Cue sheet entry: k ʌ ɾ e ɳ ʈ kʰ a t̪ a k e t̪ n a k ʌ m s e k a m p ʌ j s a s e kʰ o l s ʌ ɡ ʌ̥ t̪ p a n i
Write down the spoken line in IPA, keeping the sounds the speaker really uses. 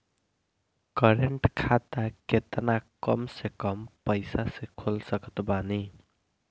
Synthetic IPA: k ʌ ɾ e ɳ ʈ kʰ a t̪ a k e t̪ n a k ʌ m s e k ʌ m p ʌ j s a s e kʰ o l s ʌ k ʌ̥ t̪ b a n i